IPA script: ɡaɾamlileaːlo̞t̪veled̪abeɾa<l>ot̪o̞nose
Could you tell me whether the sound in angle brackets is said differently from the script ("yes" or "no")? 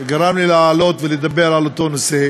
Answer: no